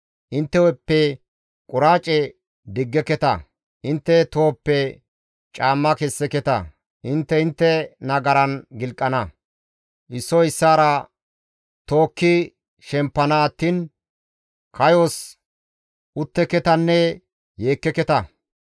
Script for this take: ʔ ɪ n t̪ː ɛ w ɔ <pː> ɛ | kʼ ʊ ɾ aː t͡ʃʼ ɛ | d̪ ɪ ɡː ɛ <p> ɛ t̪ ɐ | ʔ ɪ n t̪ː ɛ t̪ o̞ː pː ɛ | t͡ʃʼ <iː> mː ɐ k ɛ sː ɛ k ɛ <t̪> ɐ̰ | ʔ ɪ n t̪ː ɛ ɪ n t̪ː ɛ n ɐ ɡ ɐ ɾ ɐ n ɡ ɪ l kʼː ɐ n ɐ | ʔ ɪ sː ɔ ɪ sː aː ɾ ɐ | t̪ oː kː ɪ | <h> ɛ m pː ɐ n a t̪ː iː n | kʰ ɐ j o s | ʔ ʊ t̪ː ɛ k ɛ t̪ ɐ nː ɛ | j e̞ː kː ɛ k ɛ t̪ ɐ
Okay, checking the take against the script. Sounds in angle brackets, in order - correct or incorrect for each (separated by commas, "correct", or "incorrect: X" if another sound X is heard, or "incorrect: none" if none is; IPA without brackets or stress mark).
correct, incorrect: k, incorrect: aː, correct, incorrect: ʃ